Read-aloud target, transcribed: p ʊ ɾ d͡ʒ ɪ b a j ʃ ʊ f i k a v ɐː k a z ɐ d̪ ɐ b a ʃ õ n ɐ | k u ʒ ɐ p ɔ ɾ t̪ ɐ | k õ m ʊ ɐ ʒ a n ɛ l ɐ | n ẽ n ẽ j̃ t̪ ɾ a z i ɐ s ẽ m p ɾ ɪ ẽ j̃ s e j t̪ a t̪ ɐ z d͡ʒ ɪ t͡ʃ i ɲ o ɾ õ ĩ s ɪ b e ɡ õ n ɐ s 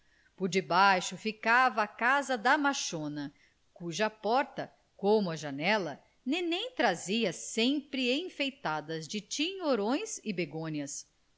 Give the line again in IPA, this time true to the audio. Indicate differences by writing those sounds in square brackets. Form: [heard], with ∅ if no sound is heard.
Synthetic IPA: p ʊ ɾ d͡ʒ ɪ b a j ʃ ʊ f i k a v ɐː k a z ɐ d̪ ɐ [m] a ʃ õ n ɐ | k u ʒ ɐ p ɔ ɾ t̪ ɐ | k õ m ʊ ɐ ʒ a n ɛ l ɐ | n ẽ n ẽ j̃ t̪ ɾ a z i ɐ s ẽ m p ɾ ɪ ẽ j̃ [f] e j t̪ a [d̪] ɐ z d͡ʒ ɪ t͡ʃ i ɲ o ɾ õ [j̃] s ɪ b e ɡ õ [ɲ] ɐ s